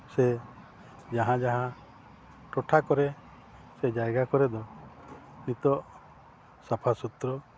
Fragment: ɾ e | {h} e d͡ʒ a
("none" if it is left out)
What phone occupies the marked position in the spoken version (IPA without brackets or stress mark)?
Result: s